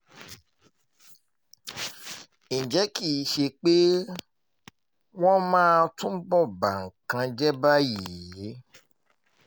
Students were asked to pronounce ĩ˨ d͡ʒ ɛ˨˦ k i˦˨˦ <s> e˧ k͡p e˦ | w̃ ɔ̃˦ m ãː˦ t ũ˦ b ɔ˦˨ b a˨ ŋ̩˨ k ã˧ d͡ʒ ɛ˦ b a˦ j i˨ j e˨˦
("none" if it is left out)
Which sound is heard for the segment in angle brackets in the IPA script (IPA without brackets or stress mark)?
ʃ